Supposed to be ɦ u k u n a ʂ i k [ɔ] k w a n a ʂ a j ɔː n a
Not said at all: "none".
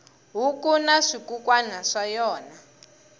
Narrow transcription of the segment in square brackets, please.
u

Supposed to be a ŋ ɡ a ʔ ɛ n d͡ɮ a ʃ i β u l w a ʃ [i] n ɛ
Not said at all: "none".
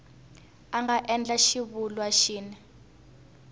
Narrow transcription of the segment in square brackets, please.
iː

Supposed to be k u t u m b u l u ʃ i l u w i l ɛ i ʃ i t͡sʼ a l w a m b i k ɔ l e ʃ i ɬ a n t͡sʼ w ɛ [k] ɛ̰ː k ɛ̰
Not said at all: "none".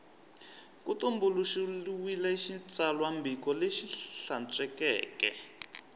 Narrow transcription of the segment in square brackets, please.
k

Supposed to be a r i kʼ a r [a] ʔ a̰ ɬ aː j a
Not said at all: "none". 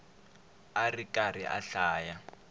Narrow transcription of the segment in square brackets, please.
i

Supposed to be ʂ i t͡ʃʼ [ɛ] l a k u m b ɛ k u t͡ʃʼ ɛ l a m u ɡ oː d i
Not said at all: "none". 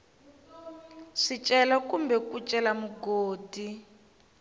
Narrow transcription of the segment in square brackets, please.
ɛ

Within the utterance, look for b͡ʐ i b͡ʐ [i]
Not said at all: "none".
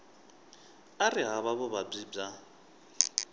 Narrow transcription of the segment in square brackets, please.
a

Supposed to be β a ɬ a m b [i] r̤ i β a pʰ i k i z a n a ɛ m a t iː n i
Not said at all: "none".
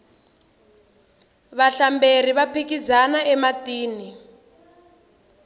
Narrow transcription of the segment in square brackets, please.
e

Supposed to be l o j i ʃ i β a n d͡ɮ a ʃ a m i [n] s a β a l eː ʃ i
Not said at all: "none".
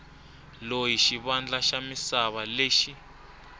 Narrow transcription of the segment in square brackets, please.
none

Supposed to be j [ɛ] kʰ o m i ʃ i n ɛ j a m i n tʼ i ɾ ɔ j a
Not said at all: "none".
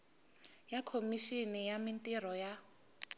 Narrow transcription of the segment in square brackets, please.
a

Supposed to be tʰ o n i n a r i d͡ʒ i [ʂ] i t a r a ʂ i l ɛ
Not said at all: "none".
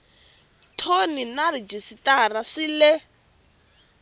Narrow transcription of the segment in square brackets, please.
s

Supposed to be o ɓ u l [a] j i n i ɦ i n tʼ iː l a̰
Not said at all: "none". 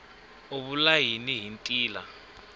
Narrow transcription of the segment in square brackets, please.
a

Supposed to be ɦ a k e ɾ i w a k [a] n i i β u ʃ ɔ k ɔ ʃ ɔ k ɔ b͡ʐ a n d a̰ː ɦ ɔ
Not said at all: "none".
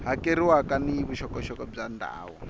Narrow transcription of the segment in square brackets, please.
a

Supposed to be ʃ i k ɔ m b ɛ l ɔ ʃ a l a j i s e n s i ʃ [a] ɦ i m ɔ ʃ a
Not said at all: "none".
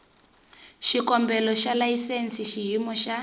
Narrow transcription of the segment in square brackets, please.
i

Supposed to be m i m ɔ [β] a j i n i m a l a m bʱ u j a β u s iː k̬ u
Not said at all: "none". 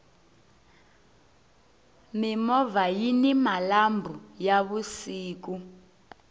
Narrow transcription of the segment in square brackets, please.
v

